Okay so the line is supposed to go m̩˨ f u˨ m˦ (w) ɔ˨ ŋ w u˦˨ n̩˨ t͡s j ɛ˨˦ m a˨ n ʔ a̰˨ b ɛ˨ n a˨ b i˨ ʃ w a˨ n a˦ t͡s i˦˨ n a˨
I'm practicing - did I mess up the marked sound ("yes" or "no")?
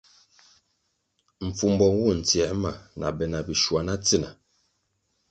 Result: yes